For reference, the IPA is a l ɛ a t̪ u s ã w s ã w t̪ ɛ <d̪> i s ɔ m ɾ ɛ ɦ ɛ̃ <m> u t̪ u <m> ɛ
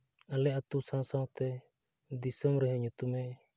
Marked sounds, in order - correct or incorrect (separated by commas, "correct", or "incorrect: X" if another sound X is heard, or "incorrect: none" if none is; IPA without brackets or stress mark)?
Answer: correct, incorrect: ɲ, correct